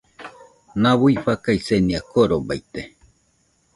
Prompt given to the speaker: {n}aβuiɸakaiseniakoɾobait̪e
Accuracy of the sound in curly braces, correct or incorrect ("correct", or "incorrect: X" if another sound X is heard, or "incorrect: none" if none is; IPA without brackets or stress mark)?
correct